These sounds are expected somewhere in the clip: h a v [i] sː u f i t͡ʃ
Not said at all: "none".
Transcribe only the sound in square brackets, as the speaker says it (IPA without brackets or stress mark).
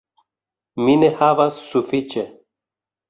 a